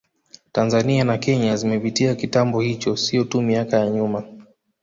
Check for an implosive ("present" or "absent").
absent